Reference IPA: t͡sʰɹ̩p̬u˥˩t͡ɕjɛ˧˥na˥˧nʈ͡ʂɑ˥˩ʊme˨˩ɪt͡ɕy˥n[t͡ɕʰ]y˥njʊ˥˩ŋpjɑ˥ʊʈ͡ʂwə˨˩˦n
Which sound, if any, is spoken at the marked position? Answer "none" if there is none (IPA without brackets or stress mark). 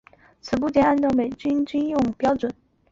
t͡ɕ